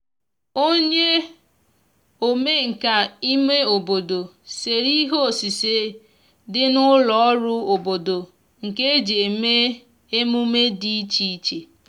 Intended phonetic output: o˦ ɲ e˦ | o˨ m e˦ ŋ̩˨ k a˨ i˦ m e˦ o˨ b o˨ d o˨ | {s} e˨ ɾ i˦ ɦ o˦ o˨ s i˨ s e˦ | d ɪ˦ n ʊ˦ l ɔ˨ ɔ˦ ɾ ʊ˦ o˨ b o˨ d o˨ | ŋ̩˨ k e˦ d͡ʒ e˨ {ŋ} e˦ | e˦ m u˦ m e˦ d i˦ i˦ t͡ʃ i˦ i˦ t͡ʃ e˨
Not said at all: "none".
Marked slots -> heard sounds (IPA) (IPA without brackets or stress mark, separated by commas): s, m